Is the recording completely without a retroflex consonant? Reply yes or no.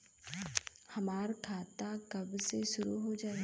yes